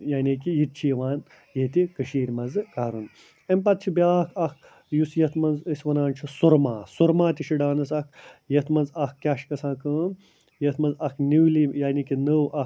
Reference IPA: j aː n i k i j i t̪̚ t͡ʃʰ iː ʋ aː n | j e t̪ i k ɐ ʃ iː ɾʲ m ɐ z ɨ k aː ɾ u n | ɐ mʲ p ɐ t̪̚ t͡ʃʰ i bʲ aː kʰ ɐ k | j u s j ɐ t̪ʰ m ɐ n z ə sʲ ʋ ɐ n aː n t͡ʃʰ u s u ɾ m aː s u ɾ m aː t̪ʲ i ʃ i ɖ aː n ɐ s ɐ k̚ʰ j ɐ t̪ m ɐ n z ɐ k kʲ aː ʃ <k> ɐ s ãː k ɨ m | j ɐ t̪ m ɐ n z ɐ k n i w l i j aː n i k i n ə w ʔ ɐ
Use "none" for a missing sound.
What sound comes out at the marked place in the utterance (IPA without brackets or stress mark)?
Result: k